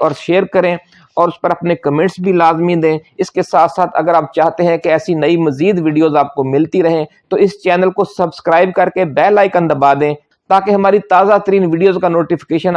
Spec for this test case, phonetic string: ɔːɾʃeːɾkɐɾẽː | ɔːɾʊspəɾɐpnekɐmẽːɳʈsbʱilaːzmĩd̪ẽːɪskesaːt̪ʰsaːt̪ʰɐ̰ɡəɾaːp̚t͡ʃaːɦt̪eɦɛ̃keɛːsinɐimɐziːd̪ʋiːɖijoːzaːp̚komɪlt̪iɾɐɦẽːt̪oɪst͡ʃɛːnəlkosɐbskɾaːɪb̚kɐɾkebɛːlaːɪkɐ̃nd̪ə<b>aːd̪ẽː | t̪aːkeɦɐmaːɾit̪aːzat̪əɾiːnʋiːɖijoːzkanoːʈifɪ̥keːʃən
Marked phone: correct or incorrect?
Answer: correct